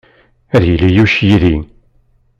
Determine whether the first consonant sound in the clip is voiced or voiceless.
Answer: voiced